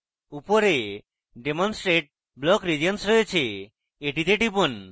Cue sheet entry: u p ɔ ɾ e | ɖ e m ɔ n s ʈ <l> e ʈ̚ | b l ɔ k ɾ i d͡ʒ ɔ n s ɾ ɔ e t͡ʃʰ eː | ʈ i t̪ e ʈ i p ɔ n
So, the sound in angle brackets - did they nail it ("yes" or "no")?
no